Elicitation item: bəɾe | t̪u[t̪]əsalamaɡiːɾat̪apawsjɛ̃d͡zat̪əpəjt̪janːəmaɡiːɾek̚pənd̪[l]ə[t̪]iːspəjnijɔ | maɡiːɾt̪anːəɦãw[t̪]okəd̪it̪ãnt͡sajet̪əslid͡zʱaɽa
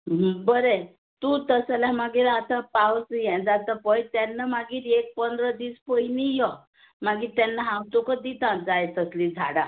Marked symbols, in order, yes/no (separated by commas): yes, no, no, yes